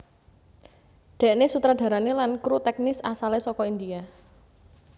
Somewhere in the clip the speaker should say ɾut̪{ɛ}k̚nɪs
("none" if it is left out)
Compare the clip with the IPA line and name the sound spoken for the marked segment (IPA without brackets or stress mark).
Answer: ɛ